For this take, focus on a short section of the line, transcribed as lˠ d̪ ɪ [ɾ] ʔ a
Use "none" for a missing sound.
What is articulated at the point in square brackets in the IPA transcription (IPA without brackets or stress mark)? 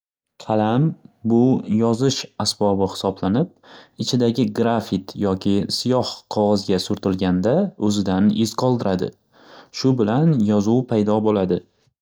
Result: ɾ